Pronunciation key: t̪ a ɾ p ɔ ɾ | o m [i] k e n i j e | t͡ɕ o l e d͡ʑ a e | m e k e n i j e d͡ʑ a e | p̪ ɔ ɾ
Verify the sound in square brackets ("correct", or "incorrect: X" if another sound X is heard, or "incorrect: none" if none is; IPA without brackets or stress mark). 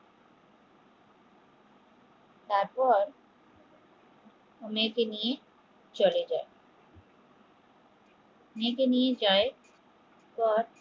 incorrect: e